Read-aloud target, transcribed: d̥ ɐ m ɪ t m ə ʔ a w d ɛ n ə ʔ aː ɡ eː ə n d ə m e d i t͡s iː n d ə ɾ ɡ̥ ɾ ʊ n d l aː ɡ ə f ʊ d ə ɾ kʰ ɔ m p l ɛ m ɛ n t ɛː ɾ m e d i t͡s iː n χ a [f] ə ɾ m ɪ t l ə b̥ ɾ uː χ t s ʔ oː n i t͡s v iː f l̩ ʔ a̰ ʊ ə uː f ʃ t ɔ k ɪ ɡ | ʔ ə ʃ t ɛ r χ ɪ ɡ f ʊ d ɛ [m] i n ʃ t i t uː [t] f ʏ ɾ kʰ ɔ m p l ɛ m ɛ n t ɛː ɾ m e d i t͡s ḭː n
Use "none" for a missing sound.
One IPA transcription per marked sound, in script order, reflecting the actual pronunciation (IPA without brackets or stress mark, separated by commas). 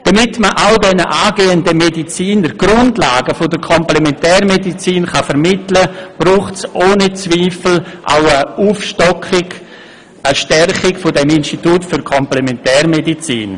f, m, t